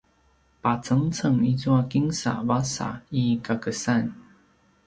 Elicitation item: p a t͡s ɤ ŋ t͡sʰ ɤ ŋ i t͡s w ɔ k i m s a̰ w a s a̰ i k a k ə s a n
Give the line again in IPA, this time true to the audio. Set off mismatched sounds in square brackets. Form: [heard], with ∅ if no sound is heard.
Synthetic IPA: p a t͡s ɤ ŋ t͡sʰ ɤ ŋ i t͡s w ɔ k i [ŋ] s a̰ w a s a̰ i k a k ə s a n